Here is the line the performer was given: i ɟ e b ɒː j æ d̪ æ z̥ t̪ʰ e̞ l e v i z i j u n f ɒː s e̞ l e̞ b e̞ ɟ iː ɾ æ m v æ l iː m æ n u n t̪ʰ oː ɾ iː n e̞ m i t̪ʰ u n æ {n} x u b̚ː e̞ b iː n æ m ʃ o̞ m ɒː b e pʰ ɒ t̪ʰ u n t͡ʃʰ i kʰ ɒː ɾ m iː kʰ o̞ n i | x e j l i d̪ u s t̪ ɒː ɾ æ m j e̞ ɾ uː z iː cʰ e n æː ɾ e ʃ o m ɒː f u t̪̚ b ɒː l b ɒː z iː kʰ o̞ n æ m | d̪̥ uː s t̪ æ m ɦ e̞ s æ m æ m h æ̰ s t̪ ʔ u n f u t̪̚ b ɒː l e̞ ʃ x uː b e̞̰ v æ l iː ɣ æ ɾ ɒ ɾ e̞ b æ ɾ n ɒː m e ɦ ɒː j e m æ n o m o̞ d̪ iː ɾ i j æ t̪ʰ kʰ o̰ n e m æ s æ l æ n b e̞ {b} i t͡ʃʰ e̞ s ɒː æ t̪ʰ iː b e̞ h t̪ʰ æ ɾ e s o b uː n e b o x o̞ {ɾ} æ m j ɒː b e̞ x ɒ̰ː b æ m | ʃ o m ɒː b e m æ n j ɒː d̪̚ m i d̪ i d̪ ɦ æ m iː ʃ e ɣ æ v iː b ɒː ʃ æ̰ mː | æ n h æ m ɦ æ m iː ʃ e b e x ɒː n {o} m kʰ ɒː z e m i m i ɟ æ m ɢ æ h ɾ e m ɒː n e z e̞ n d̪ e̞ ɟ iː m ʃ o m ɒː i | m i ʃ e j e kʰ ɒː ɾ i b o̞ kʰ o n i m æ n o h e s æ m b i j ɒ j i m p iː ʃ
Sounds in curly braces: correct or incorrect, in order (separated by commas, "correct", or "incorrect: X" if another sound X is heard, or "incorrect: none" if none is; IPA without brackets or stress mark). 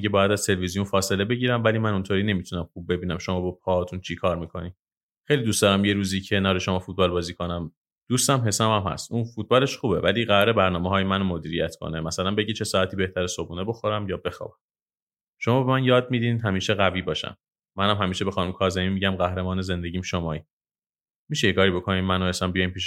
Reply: incorrect: m, incorrect: ɟ, correct, incorrect: u